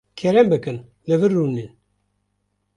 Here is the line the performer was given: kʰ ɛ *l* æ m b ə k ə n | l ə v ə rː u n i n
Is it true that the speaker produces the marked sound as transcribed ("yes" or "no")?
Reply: no